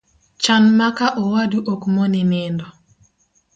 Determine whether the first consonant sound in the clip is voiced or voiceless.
voiceless